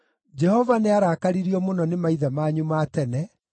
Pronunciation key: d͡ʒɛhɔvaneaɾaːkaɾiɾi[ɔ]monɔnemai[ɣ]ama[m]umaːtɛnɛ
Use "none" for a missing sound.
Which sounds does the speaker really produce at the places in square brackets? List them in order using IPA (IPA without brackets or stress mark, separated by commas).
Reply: ɔ, ð, ɲ